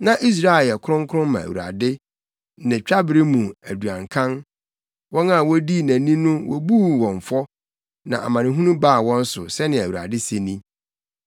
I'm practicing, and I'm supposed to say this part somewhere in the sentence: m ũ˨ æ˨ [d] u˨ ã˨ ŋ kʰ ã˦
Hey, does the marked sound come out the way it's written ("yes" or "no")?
yes